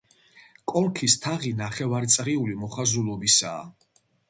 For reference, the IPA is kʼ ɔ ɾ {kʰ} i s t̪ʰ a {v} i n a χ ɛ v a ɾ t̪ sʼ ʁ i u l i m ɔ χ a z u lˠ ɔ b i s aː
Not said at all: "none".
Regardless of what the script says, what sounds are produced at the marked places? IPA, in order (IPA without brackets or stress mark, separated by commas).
kʰ, ʁ